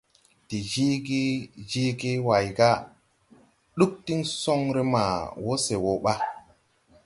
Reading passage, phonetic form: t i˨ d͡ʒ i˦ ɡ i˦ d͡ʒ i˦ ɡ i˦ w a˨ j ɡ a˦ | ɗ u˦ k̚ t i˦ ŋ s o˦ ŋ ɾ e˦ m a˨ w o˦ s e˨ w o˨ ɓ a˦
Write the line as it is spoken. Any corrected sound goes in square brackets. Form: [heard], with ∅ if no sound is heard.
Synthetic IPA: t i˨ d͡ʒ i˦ ɡ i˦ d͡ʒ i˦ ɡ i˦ w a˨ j ɡ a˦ | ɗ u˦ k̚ t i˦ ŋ s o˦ ŋ ɾ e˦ m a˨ w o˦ s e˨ w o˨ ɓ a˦